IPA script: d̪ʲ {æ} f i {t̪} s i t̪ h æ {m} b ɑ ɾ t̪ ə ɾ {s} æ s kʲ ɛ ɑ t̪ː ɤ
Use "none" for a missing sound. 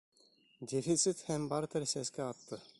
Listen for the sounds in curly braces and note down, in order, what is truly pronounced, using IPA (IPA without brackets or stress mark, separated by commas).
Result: e, t̪, m, s